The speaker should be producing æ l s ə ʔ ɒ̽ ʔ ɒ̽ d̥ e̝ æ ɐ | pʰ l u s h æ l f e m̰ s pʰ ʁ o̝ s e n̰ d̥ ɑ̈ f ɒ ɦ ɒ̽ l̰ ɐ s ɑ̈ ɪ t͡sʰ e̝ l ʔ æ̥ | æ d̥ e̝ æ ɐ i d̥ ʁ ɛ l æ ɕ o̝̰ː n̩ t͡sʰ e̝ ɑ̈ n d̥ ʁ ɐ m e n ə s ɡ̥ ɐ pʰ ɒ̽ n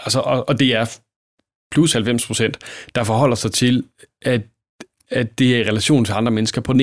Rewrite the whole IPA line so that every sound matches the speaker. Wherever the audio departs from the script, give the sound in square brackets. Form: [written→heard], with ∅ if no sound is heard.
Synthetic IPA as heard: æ l s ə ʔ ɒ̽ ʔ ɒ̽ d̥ e̝ æ ɐ | pʰ l u s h æ l f e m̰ s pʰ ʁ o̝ s e n̰ d̥ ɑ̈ f ɒ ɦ ɒ̽ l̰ ɐ s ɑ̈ ɪ t͡sʰ e̝ l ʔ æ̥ | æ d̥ e̝ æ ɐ i [d̥→∅] ʁ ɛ l æ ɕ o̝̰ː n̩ t͡sʰ e̝ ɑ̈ n d̥ ʁ ɐ m e n ə s ɡ̥ ɐ pʰ ɒ̽ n